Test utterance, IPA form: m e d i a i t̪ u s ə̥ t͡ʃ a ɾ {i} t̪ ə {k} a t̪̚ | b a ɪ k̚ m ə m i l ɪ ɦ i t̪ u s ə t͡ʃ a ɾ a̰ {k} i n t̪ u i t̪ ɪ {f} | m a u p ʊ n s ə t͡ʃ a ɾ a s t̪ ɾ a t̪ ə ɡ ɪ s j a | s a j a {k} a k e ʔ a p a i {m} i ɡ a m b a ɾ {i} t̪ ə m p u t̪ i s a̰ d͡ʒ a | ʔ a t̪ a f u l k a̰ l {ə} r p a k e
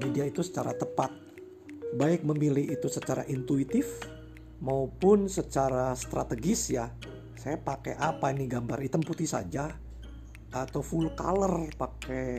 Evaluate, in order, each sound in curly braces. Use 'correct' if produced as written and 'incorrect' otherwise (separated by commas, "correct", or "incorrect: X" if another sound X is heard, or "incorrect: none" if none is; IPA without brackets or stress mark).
incorrect: a, incorrect: p, incorrect: ʔ, correct, incorrect: p, incorrect: n, correct, correct